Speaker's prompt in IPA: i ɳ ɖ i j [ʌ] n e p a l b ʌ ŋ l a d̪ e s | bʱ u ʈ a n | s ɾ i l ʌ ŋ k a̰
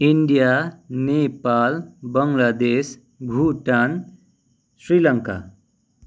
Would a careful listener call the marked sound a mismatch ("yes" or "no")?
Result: yes